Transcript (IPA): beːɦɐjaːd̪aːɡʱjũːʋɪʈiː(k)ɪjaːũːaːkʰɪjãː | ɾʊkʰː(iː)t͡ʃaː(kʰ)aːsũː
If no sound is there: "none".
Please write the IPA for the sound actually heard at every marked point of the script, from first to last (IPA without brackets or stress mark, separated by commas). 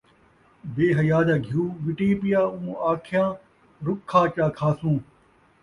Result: p, aː, kʰ